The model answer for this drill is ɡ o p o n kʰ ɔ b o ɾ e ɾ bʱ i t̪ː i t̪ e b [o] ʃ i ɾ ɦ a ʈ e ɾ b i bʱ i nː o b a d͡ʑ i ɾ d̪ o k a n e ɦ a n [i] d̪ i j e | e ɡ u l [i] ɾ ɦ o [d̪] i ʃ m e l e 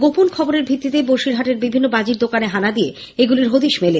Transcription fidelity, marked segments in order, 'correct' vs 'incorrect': correct, incorrect: a, correct, correct

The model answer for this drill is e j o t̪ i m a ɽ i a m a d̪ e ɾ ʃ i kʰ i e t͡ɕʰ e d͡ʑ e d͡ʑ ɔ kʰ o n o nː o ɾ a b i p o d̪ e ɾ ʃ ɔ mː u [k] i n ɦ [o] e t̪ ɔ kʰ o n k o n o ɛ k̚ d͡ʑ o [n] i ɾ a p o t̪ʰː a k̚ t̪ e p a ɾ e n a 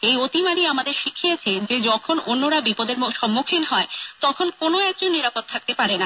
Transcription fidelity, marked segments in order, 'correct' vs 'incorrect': incorrect: kʰ, incorrect: ɔ, incorrect: nː

